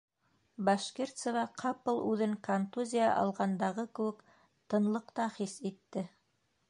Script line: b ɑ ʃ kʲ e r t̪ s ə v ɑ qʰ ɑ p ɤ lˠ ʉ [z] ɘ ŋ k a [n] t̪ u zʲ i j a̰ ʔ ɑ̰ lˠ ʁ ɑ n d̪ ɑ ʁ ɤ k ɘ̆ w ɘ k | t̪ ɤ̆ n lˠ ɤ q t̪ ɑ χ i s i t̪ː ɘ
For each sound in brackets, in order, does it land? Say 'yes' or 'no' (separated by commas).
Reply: no, yes